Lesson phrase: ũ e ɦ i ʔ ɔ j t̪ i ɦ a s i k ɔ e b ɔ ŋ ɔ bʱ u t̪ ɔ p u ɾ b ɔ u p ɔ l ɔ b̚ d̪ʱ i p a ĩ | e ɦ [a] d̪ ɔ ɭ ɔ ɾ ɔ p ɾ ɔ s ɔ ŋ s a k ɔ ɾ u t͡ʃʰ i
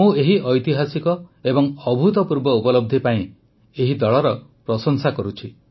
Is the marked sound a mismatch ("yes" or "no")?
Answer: yes